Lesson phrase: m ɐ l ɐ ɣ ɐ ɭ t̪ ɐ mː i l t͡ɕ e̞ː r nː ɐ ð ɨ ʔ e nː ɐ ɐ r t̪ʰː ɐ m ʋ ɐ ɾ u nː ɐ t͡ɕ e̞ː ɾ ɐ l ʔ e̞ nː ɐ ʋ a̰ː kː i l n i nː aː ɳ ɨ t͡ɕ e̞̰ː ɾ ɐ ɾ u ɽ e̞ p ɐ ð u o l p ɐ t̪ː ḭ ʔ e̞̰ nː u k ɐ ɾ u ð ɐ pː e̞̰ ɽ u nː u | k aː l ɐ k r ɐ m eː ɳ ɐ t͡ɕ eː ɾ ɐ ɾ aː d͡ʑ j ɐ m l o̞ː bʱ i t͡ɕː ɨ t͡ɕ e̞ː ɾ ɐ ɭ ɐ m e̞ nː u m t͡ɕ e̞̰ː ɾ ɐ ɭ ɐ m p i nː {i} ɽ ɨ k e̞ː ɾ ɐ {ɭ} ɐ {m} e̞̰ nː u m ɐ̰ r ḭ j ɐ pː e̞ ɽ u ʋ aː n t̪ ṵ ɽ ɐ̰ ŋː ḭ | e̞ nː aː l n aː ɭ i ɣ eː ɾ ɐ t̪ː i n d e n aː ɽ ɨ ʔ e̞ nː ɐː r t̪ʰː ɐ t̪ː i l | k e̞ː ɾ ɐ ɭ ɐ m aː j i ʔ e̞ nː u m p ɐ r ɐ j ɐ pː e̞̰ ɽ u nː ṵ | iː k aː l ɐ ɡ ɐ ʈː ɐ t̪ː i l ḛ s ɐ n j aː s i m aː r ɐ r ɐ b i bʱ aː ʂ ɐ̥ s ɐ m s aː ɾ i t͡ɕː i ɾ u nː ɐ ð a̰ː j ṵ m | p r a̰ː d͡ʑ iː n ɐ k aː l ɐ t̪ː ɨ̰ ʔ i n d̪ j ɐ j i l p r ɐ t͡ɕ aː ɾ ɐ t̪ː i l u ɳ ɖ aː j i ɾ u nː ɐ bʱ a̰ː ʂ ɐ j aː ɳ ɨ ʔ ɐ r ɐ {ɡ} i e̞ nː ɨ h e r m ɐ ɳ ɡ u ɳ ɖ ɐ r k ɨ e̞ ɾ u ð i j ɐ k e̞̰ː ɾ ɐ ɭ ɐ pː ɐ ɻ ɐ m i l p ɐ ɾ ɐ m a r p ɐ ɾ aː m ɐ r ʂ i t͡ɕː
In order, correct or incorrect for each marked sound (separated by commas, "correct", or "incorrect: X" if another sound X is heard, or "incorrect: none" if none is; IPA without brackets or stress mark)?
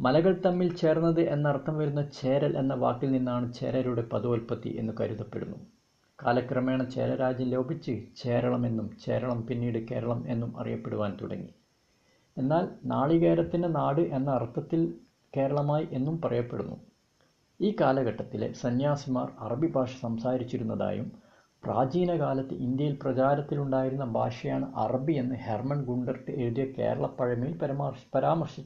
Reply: incorrect: iː, correct, correct, incorrect: b